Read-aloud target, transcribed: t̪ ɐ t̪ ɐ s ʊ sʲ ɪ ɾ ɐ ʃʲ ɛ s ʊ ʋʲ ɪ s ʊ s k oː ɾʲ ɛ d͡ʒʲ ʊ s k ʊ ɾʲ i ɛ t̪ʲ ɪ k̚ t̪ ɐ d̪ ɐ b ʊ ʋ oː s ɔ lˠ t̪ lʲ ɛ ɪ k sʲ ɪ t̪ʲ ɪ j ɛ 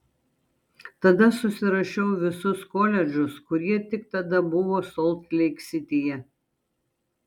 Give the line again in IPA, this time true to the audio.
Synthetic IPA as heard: t̪ ɐ d̪ ɐ s ʊ sʲ ɪ ɾ ɐ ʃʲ ɛ ʊ ʋʲ ɪ s ʊ s k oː lʲ ɛ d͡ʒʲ ʊ s k ʊ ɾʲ i ɛ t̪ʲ ɪ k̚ t̪ ɐ d̪ ɐ b ʊ ʋ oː s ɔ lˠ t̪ lʲ ɛ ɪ k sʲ ɪ t̪ʲ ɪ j ɛ

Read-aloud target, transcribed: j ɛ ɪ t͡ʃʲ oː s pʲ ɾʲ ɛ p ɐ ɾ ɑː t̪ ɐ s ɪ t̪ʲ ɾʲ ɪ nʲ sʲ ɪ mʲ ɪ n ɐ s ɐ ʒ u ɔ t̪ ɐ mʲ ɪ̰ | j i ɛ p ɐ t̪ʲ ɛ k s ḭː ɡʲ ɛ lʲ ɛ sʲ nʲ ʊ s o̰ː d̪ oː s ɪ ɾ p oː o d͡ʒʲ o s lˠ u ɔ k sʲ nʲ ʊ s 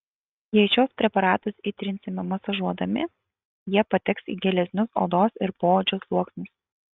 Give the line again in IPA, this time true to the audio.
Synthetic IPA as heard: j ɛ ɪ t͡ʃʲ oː s pʲ ɾʲ ɛ p ɐ ɾ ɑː t̪ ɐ s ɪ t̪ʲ ɾʲ ɪ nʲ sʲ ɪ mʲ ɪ m ɐ s ɐ ʒ u ɔ d̪ ɐ mʲ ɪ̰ | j i ɛ p ɐ t̪ʲ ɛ k s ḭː ɡʲ ɛ lʲ ɛ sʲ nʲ ʊ s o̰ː d̪ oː s ɪ ɾ p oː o d͡ʒʲ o s lˠ u ɔ k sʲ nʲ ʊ s

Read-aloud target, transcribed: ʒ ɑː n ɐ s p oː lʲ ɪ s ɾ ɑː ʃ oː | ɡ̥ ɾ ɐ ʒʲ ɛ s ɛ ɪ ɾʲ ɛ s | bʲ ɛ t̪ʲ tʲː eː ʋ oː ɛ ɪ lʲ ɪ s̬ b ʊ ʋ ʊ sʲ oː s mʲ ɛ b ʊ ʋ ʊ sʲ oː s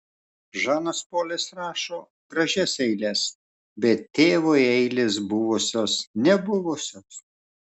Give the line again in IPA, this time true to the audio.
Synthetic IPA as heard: ʒ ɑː n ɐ s p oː lʲ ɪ s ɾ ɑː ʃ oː | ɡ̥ ɾ ɐ ʒʲ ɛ s ɛ ɪ lʲ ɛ s | bʲ ɛ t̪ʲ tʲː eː ʋ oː ɛ ɪ lʲ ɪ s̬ b ʊ ʋ ʊ sʲ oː s nʲ ɛ b ʊ ʋ ʊ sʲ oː s

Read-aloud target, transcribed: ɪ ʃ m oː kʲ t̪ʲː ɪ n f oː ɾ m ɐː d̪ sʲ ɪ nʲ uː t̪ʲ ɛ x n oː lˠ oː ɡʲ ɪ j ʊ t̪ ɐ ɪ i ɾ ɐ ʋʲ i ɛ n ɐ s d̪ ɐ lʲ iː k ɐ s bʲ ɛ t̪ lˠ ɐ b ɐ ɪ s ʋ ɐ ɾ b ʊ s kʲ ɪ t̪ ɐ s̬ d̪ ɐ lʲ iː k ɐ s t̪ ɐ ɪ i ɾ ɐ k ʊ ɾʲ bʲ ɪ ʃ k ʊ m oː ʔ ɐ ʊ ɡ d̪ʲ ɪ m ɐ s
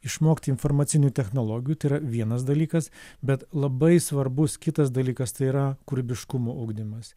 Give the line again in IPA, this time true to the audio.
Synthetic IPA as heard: ɪ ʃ m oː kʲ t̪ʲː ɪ n f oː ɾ m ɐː t̪ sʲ ɪ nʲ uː t̪ʲ ɛ x n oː lˠ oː ɡʲ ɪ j u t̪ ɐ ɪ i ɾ ɐ ʋʲ i ɛ n ɐ s d̪ ɐ lʲ iː k ɐ s bʲ ɛ t̪ lˠ ɐ b ɐ ɪ s ʋ ɐ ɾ b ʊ s kʲ ɪ t̪ ɐ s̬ d̪ ɐ lʲ iː k ɐ s t̪ ɐ ɪ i ɾ ɐ k ʊ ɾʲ bʲ ɪ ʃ k ʊ m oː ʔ ɐ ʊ ɡ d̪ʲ ɪ m ɐ s

